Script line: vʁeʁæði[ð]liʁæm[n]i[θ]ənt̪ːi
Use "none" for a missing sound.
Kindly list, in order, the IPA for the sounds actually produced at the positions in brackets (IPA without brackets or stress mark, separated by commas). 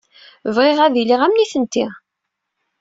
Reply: none, n, θ